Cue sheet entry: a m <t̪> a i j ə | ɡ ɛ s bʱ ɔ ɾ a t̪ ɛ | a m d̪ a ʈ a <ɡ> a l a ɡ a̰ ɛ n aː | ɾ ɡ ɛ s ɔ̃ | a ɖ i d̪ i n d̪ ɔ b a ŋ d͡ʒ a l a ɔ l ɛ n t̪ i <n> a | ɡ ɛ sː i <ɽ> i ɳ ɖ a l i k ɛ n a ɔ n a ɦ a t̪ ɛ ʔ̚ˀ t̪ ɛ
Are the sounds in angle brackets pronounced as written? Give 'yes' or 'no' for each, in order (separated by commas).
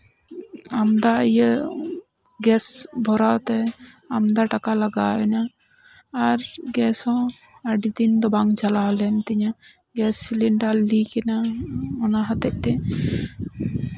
no, no, no, no